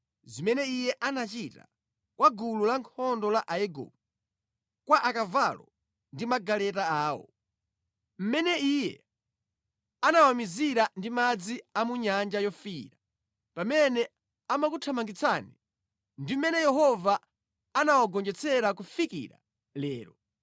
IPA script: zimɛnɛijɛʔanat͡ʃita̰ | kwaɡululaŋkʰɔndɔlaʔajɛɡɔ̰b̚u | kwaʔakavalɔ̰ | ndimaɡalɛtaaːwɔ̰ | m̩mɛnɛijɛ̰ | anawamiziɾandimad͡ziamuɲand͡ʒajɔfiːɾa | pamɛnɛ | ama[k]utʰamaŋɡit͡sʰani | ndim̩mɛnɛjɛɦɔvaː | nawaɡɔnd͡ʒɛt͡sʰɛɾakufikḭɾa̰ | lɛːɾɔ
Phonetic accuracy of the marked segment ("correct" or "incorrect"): correct